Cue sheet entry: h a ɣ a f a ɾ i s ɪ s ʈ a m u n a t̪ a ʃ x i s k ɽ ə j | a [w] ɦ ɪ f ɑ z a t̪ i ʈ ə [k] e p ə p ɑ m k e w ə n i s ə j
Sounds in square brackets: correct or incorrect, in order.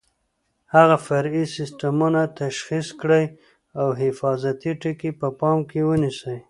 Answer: correct, correct

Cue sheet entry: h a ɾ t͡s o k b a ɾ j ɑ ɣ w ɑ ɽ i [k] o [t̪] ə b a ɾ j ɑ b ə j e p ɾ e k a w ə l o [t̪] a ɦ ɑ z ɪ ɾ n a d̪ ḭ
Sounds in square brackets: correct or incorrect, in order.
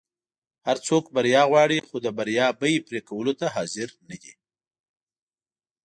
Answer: incorrect, incorrect, correct

